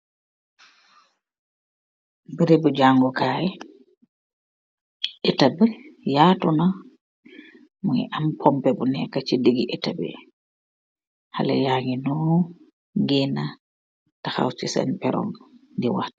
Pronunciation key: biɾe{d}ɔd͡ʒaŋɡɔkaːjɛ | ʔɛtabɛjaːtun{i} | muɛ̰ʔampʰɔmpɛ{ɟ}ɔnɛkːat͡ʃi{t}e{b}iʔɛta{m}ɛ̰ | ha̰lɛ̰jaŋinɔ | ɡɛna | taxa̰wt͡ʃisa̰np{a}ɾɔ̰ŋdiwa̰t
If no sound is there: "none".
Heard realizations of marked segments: b, a, b, d, ɡ, b, ɛ

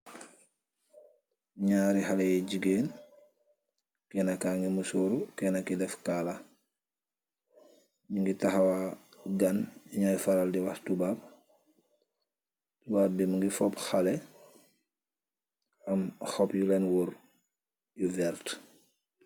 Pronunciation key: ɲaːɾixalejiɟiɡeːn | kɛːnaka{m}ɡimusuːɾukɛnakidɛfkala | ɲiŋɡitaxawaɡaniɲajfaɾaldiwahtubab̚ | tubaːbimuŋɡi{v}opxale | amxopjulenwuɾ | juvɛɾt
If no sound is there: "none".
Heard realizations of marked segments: ŋ, f

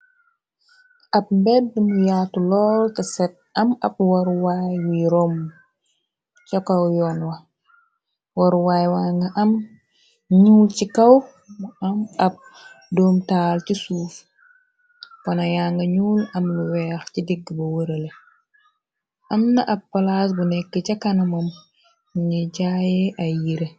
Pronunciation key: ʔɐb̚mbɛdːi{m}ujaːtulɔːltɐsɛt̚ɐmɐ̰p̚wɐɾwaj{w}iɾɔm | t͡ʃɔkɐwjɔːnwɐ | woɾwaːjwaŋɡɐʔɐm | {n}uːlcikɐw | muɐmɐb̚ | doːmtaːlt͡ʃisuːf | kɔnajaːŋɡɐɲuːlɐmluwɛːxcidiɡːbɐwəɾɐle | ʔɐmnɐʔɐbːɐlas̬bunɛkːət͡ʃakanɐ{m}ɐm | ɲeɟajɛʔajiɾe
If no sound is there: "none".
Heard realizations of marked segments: m, w, ɲ, m

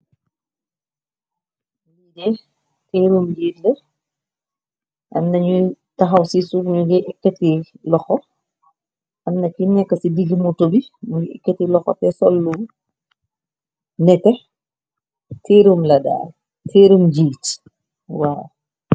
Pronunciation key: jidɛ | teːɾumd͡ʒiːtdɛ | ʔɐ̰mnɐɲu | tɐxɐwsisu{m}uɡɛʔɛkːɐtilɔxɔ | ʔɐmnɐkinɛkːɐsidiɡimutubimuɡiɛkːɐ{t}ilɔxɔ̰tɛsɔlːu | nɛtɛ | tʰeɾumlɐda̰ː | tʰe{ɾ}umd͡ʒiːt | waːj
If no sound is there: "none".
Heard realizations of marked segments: ɲ, t, ɾ

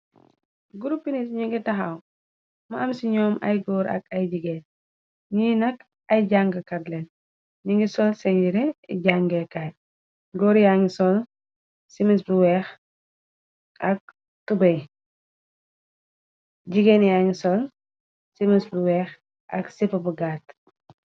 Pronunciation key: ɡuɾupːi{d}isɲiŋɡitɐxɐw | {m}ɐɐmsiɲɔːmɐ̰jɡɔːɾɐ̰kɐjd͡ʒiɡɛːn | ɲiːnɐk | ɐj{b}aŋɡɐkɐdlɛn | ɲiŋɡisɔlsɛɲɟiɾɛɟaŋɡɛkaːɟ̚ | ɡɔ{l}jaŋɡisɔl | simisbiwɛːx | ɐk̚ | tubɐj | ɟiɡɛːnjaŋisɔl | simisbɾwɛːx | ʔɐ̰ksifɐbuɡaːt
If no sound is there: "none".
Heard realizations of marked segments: n, m, ɟ, ɾ

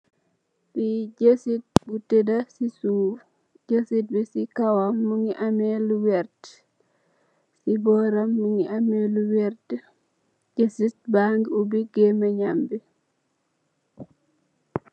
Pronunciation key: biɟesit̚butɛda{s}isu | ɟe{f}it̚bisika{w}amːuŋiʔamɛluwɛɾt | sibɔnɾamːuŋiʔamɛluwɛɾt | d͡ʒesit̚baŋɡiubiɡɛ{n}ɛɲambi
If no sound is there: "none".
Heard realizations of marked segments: s, s, w, m

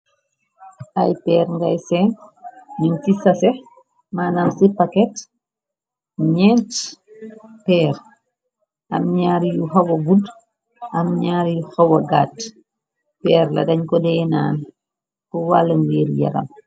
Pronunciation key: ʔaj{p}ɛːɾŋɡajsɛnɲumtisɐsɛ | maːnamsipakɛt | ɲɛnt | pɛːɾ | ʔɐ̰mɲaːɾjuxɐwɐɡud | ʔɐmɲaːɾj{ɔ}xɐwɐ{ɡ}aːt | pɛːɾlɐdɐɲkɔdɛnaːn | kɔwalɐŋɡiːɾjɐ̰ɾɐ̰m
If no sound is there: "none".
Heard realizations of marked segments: p, u, ɡ

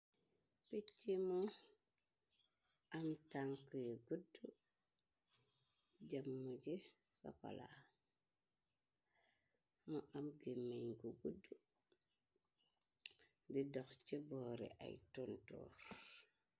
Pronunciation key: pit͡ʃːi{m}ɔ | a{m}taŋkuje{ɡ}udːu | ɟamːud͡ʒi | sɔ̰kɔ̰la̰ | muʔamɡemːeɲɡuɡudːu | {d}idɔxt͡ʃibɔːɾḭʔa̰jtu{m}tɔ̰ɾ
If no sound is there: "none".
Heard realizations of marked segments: m, m, ɡ, d, n

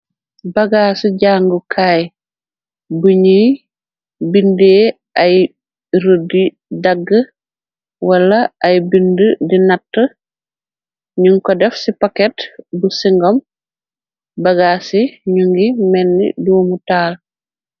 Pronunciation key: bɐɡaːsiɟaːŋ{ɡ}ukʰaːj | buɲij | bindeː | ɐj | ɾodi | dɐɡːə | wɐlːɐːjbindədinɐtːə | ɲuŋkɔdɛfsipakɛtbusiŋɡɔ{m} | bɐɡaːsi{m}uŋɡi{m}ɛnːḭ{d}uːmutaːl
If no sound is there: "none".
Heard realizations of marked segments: ɡ, m, ɲ, m, d

